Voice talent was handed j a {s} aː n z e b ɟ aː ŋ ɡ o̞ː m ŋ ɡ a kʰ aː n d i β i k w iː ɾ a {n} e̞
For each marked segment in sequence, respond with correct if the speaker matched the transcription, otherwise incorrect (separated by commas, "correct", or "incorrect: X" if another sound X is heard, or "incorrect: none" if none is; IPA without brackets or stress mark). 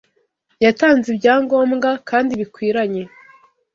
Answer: incorrect: t, incorrect: ɲ